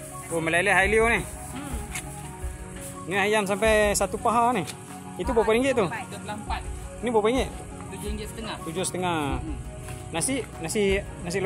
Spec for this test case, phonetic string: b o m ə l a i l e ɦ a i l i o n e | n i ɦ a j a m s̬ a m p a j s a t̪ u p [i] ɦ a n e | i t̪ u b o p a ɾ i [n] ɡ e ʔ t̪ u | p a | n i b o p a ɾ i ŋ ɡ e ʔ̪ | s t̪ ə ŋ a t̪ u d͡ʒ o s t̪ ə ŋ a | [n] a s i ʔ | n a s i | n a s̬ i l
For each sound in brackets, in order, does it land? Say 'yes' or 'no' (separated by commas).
no, no, yes